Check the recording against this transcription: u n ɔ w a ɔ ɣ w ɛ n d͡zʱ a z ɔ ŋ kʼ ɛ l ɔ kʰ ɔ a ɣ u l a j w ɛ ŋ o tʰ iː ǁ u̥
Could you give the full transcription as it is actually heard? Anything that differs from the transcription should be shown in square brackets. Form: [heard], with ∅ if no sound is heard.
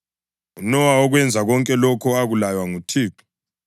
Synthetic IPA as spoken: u n ɔ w a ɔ ɣ w ɛ n d͡zʱ a [ɣ] ɔ ŋ kʼ ɛ l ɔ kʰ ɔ a ɣ u l a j w [a] ŋ [u] tʰ iː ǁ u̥